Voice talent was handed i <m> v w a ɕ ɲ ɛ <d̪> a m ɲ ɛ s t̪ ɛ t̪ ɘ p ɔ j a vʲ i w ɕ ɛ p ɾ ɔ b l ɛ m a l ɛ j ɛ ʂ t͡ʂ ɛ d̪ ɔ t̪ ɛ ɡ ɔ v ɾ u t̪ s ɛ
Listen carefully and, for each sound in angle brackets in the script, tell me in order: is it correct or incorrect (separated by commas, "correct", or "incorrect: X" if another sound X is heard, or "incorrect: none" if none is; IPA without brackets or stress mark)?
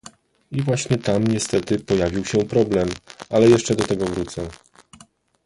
incorrect: none, incorrect: t̪